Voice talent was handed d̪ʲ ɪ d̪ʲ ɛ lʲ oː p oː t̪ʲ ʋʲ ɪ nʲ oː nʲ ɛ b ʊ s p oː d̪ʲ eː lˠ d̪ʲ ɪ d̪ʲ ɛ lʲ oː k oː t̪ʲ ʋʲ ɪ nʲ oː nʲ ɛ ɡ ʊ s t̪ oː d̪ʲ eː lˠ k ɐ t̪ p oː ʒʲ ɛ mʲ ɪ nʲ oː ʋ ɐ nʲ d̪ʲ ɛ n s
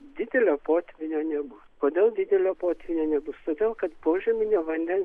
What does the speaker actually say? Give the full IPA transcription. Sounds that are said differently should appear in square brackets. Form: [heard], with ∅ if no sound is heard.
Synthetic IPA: d̪ʲ ɪ d̪ʲ ɛ lʲ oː p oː t̪ʲ ʋʲ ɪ nʲ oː nʲ ɛ b ʊ s [k] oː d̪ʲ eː lˠ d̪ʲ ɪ d̪ʲ ɛ lʲ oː [p] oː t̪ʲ ʋʲ ɪ nʲ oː nʲ ɛ [b] ʊ s t̪ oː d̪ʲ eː lˠ k ɐ t̪ p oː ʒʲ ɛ mʲ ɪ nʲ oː ʋ ɐ nʲ d̪ʲ ɛ n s

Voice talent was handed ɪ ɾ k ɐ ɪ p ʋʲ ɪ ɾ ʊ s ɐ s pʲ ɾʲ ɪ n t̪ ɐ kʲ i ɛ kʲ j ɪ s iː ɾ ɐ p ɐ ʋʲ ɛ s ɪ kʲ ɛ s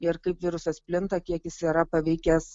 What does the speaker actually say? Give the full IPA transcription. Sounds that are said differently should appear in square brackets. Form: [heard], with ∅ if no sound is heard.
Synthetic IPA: ɪ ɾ k ɐ ɪ p ʋʲ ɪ ɾ ʊ s ɐ s pʲ [lʲ] ɪ n t̪ ɐ kʲ i ɛ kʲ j ɪ s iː ɾ ɐ p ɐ ʋʲ ɛ [∅] ɪ kʲ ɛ s

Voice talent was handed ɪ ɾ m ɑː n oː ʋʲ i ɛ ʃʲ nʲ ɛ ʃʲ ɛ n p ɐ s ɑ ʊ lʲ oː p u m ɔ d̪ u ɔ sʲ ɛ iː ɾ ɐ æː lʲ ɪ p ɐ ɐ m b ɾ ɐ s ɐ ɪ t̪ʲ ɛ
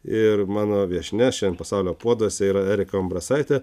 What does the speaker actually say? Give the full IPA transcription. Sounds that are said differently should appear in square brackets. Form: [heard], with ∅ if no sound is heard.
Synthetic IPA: ɪ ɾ m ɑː n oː ʋʲ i ɛ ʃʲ nʲ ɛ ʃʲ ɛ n p ɐ s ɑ ʊ lʲ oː p u [∅] ɔ d̪ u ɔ sʲ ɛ iː ɾ ɐ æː [ɾʲ] ɪ [k] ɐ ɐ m b ɾ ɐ s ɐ ɪ t̪ʲ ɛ

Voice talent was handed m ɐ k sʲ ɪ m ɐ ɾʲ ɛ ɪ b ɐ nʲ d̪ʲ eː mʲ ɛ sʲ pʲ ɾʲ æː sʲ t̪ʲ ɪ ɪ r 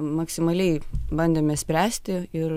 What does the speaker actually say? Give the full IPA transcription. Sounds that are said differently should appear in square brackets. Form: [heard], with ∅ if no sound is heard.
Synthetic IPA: m ɐ k sʲ ɪ m ɐ [lʲ] ɛ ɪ b ɐ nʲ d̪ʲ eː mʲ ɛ sʲ pʲ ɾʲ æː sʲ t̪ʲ ɪ ɪ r

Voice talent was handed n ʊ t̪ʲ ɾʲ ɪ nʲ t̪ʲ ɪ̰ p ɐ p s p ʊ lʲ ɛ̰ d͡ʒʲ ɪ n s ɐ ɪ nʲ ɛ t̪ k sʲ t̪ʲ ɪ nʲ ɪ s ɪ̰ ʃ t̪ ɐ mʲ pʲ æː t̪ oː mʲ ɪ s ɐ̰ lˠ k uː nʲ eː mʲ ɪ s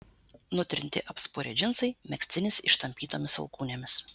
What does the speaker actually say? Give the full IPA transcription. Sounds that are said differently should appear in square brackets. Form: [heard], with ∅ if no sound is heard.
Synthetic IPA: n ʊ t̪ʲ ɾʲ ɪ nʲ t̪ʲ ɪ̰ [ʔ] ɐ p s p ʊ [ɾʲ] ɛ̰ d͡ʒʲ ɪ n s ɐ ɪ [mʲ] ɛ [∅] k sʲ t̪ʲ ɪ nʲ ɪ s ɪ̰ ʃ t̪ ɐ mʲ pʲ [iː] t̪ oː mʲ ɪ s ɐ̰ lˠ k uː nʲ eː mʲ ɪ s

